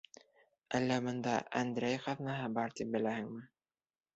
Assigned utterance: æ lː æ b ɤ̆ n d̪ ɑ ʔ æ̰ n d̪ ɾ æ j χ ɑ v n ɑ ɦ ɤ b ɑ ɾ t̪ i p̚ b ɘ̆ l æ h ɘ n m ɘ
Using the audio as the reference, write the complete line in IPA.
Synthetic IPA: æ lː æ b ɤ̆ n d̪ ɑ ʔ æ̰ n d̪ ɾ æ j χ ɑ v n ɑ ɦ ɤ b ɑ ɾ t̪ i p̚ b ɘ̆ l æ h ɘ ŋ m ɘ